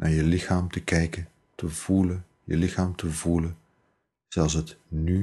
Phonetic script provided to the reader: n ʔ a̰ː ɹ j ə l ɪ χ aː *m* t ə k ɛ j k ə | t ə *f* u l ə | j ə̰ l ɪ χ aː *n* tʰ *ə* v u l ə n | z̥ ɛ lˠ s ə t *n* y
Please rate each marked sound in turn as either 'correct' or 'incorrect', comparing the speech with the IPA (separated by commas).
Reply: correct, incorrect, incorrect, correct, correct